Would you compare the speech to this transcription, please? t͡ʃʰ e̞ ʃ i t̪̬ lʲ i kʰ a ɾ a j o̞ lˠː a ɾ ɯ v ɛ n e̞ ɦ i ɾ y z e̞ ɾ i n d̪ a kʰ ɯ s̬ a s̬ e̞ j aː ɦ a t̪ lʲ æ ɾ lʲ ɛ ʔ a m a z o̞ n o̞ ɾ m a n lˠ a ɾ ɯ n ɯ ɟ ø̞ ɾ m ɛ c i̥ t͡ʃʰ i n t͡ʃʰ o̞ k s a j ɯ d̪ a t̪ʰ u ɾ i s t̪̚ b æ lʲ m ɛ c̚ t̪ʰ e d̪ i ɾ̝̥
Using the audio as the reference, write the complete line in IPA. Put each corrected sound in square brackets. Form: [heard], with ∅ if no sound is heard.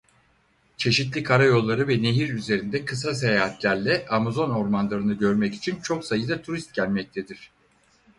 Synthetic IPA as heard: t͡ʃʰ e̞ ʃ i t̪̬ lʲ i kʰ a ɾ a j o̞ lˠː a ɾ ɯ v ɛ n e̞ ɦ i ɾ y z e̞ ɾ i n d̪ [ɛ] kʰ ɯ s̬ a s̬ e̞ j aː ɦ a t̪ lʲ æ ɾ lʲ ɛ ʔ a m a z o̞ n o̞ ɾ m a n lˠ a ɾ ɯ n ɯ ɟ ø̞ ɾ m ɛ c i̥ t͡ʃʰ i n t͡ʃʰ o̞ k s a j ɯ d̪ a t̪ʰ u ɾ i s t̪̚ [ɟ] æ lʲ m ɛ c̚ t̪ʰ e d̪ i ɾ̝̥

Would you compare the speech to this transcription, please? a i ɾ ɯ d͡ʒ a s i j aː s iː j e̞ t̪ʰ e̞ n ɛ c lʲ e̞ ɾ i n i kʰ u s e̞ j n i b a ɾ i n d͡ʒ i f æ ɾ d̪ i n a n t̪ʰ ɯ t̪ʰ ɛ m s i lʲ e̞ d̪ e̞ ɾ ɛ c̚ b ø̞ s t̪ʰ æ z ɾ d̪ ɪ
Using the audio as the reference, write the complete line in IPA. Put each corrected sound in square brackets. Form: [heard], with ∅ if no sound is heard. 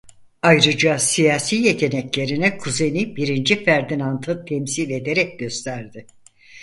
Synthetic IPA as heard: a [j] ɾ ɯ d͡ʒ a s i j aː s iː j e̞ t̪ʰ e̞ n ɛ c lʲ e̞ ɾ i n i kʰ u [z] e̞ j n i b [i] ɾ i n d͡ʒ i f æ ɾ d̪ i n a n t̪ʰ ɯ t̪ʰ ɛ m s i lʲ e̞ d̪ e̞ ɾ ɛ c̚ [ɟ] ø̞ s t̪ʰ æ [∅] ɾ d̪ ɪ

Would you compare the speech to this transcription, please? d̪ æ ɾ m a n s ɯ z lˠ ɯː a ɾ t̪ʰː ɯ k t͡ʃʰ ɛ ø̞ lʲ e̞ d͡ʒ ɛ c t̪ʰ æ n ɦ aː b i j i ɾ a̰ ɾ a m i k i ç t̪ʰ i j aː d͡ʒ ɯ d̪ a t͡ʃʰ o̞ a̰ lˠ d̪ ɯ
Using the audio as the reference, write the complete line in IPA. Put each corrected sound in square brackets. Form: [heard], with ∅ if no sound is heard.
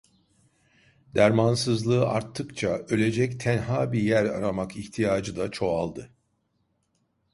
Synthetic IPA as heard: d̪ æ ɾ m a n s ɯ z lˠ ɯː a ɾ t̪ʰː ɯ k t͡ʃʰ [a] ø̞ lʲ e̞ d͡ʒ ɛ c t̪ʰ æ n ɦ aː b i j [æ] ɾ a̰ ɾ a m [a] k i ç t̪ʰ i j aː d͡ʒ ɯ d̪ a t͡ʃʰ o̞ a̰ lˠ d̪ ɯ

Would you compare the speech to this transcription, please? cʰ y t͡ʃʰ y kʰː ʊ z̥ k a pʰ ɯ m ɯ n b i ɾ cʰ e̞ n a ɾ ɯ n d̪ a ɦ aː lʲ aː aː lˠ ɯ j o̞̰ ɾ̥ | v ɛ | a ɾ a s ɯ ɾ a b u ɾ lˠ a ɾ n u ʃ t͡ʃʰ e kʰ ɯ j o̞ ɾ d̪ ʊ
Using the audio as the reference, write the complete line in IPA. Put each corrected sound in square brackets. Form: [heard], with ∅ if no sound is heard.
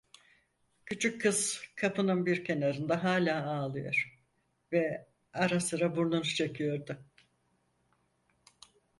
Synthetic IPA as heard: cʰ y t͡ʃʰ y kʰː [ɯ] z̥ [kʰ] a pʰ ɯ [n] ɯ n b i ɾ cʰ e̞ n a ɾ ɯ n d̪ a ɦ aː lʲ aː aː lˠ ɯ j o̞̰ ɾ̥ | v ɛ | a ɾ a s ɯ ɾ a b u ɾ lˠ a [∅] n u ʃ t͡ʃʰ e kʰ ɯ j o̞ ɾ d̪ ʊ

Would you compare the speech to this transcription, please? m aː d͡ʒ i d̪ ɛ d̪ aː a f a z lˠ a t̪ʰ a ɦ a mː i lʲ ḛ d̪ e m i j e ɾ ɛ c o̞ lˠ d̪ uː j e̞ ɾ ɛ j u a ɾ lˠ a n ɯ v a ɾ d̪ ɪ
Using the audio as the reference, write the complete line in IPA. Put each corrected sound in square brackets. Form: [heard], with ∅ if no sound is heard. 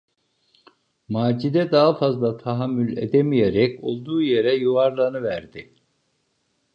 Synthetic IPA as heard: m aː d͡ʒ i d̪ ɛ d̪ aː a f a z lˠ a t̪ʰ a ɦ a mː [y] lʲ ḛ d̪ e m i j e ɾ ɛ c o̞ lˠ d̪ uː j e̞ ɾ ɛ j u a ɾ lˠ a n ɯ v [æ] ɾ d̪ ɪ

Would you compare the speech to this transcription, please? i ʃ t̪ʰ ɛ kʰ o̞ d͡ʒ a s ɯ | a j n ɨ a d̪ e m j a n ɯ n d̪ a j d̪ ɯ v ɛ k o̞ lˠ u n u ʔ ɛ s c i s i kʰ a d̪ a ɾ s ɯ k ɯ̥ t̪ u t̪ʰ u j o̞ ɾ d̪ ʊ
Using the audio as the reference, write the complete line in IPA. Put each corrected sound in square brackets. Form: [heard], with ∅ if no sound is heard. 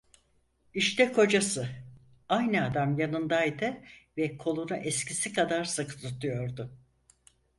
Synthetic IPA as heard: i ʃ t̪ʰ ɛ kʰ o̞ d͡ʒ a s ɯ | a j n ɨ a d̪ [a] m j a n ɯ n d̪ a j d̪ ɯ v ɛ [kʰ] o̞ lˠ u n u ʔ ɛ s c i s i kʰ a d̪ a ɾ s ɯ k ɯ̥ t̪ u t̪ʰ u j o̞ ɾ d̪ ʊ

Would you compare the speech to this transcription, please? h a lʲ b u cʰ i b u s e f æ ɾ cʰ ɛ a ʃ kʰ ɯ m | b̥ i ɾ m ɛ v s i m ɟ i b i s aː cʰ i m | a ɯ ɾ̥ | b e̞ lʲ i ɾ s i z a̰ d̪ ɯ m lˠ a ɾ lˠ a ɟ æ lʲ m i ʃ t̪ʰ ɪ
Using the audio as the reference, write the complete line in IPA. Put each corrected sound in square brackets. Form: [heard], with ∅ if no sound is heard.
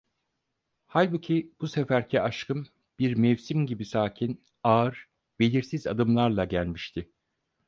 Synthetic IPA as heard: h a lʲ b u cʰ i b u s e f æ ɾ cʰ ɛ a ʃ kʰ ɯ m | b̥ i ɾ m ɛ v s i m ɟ i b i s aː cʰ i [n] | a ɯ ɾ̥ | b e̞ lʲ i ɾ s i z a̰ d̪ ɯ m lˠ a ɾ lˠ a ɟ æ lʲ m i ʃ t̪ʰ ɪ

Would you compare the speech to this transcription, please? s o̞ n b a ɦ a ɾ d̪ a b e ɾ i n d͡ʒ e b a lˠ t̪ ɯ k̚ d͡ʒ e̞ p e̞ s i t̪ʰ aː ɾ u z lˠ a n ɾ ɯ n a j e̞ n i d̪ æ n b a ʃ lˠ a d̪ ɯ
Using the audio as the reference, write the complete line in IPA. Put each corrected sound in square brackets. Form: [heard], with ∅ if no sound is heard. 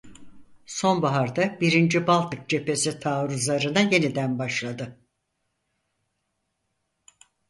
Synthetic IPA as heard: s o̞ n b a ɦ a ɾ d̪ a b [i] ɾ i n d͡ʒ [i] b a lˠ t̪ ɯ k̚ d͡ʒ e̞ p e̞ s i t̪ʰ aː ɾ u z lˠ a [∅] ɾ ɯ n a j e̞ n i d̪ æ n b a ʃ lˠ a d̪ ɯ

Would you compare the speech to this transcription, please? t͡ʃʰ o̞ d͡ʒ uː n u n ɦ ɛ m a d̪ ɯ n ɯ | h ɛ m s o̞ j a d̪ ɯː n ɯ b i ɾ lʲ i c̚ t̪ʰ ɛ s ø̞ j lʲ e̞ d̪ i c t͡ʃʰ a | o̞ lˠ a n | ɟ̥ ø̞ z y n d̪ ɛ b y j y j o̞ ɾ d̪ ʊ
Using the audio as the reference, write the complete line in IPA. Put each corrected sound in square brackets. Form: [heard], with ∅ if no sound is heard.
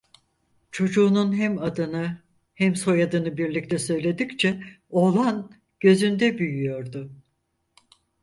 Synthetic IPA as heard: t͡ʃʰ o̞ d͡ʒ uː n u n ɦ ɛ m a d̪ ɯ n ɯ | h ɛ m s o̞ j a d̪ [ɯ] n ɯ b i ɾ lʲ i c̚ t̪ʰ ɛ s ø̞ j lʲ e̞ d̪ i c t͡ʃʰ [ɛ] | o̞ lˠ a n | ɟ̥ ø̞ z y n d̪ ɛ b y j y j o̞ ɾ d̪ ʊ

